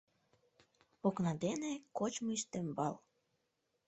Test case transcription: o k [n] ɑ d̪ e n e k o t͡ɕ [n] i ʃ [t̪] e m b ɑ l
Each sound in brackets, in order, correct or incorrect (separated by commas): correct, incorrect, correct